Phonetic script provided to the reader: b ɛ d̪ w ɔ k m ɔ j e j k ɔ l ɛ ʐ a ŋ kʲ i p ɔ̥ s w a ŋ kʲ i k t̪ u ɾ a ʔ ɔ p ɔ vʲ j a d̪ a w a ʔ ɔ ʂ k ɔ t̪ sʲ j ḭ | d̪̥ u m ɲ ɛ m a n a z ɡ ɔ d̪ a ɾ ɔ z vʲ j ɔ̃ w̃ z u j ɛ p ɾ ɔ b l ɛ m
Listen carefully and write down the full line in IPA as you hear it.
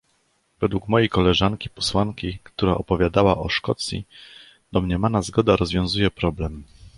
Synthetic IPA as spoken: v ɛ d̪ w u k m ɔ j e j k ɔ l ɛ ʐ a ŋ kʲ i p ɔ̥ s w a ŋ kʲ i k t̪ u ɾ a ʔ ɔ p ɔ vʲ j a d̪ a w a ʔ ɔ ʂ k ɔ t̪ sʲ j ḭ | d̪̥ ɔ m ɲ ɛ m a n a z ɡ ɔ d̪ a ɾ ɔ z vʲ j ɔ̃ w̃ z u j ɛ p ɾ ɔ b l ɛ m

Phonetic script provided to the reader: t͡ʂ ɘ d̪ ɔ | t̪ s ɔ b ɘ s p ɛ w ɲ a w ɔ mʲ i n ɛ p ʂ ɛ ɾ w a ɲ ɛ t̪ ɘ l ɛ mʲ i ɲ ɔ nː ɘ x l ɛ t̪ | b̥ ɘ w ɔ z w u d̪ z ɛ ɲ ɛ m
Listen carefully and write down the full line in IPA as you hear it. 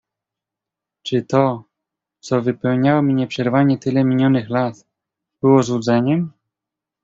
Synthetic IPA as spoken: t͡ʂ ɘ t̪ ɔ | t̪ s ɔ v ɘ p ɛ w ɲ a w ɔ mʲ i ɲ ɛ p ʂ ɛ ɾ v a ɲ ɛ t̪ ɘ l ɛ mʲ i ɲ ɔ n ɘ x l a t̪ | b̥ ɘ w ɔ z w u d̪ z ɛ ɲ ɛ m

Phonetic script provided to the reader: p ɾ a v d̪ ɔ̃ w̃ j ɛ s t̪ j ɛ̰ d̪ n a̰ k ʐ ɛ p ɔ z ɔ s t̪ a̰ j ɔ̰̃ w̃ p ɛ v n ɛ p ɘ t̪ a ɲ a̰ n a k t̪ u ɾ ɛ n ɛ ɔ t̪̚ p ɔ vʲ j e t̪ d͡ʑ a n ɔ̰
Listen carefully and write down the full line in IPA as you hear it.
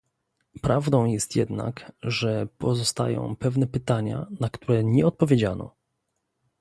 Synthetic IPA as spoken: p ɾ a v d̪ ɔ̃ w̃ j ɛ s t̪ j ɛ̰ d̪ n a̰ k ʐ ɛ p ɔ z ɔ s t̪ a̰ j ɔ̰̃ w̃ p ɛ v n ɛ p ɘ t̪ a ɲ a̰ n a k t̪ u ɾ ɛ ɲ ɛ ɔ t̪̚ p ɔ vʲ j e d͡ʑ a n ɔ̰

